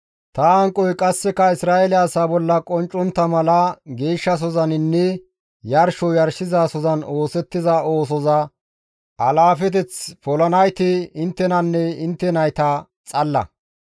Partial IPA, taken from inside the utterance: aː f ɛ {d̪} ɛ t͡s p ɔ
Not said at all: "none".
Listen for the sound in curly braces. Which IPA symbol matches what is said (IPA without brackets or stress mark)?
t̪